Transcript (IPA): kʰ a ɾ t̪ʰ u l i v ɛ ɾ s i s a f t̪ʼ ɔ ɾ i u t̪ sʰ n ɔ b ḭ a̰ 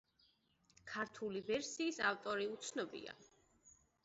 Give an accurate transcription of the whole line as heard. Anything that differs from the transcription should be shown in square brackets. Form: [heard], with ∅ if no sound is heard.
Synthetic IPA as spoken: kʰ a ɾ t̪ʰ u l i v ɛ ɾ s [iː] s a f t̪ʼ ɔ ɾ i u t̪ sʰ n ɔ b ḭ a̰